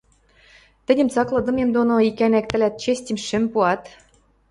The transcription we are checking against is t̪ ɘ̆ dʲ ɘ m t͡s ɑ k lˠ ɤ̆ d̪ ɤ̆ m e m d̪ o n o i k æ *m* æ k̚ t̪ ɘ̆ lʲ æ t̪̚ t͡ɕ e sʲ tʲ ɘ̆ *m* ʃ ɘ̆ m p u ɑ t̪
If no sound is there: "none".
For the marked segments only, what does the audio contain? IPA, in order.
n, m

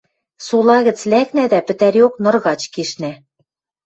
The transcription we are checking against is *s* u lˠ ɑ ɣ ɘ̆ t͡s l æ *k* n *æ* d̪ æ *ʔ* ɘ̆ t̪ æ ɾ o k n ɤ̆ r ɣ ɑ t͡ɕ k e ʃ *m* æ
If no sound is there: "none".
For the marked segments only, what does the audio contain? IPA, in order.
s, k, æ, p, n

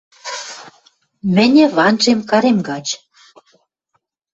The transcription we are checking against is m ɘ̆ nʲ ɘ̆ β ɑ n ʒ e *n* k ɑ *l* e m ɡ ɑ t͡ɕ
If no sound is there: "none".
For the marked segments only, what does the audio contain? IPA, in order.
m, ɾ

